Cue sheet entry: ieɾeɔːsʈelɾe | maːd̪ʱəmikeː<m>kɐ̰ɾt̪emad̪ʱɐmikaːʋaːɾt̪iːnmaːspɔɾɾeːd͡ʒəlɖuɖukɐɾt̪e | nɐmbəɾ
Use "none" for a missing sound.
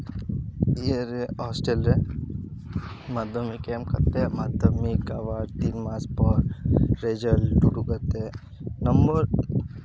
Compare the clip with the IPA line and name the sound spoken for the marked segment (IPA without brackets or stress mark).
m